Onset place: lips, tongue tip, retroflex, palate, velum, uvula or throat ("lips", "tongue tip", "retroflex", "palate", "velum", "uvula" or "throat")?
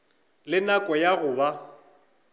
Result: tongue tip